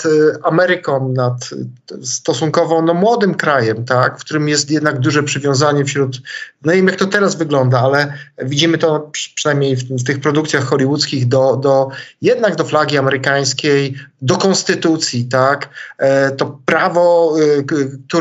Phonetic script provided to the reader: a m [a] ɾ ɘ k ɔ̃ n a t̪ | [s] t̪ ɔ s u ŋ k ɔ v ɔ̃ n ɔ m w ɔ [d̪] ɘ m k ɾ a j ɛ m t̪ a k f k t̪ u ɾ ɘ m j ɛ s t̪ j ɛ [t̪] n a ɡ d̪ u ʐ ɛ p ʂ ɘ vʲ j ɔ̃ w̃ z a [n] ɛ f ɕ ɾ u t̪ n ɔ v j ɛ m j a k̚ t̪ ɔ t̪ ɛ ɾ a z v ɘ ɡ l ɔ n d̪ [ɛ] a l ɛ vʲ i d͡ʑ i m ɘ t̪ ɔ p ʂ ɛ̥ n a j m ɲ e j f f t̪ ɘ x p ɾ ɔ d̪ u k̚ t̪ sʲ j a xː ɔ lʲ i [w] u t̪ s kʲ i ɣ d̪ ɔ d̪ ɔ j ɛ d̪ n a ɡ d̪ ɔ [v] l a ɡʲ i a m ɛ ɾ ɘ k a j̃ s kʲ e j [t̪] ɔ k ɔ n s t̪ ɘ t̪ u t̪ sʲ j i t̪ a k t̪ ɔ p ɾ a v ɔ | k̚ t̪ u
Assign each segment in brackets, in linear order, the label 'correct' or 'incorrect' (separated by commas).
incorrect, correct, correct, incorrect, incorrect, incorrect, correct, incorrect, incorrect